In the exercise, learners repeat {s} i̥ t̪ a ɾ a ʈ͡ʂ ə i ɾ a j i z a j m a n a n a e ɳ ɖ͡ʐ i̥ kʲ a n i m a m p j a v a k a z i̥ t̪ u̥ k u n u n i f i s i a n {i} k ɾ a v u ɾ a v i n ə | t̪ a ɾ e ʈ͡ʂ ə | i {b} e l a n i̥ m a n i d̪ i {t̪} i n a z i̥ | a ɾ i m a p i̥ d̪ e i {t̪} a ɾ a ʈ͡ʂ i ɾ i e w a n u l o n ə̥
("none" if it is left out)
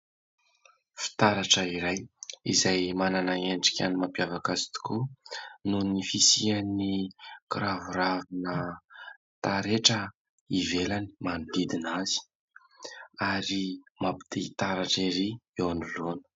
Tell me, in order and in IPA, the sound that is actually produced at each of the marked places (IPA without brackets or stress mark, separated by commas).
f, i, v, d̪, t̪